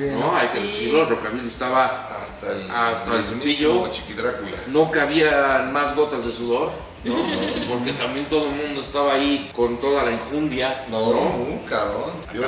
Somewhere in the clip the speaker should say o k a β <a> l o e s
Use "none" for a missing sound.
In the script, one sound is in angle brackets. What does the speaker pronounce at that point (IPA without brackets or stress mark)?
i